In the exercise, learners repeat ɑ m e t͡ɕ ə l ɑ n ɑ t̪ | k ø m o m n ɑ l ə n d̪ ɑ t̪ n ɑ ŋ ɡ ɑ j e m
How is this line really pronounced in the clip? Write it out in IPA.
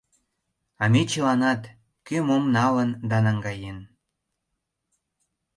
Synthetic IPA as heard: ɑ m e t͡ɕ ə l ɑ n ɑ t̪ | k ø m o m n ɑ l ə n d̪ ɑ n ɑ ŋ ɡ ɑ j e n